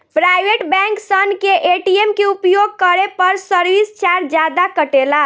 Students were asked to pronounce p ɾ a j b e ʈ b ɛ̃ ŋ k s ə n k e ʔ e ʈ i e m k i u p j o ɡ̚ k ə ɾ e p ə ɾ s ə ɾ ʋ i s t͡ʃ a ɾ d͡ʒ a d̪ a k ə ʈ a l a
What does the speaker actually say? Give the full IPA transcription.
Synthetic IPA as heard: p ɾ a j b e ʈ b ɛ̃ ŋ k s ə n k e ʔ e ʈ i e m k e u p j o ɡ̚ k ə ɾ e p ə ɾ s ə ɾ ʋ i s t͡ʃ a ɾ d͡ʒ a d̪ a k ə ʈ e l a